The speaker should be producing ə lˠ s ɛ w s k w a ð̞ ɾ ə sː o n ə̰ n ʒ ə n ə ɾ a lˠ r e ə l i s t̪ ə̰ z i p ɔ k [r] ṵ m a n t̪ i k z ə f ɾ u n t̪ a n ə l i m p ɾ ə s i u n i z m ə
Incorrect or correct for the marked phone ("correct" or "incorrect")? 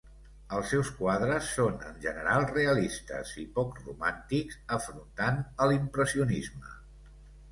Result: correct